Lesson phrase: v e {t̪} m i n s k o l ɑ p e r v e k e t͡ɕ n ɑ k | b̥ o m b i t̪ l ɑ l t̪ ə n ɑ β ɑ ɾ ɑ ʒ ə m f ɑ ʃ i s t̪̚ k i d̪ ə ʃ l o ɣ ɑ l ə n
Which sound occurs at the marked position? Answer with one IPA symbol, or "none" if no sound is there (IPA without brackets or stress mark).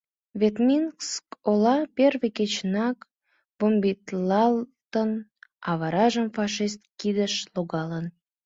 t̪